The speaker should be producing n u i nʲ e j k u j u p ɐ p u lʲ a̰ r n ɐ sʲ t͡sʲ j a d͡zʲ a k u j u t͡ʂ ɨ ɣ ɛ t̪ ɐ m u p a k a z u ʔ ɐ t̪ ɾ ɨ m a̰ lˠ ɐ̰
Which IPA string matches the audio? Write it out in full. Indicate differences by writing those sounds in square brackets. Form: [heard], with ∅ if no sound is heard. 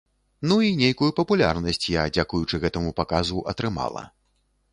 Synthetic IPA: n u i nʲ e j k u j u p ɐ p u lʲ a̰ r n ɐ sʲ t͡sʲ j a d͡zʲ a k u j u t͡ʂ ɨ ɣ ɛ t̪ ɐ m u p a k a z u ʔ ɐ t̪ ɾ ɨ m a̰ lˠ ɐ̰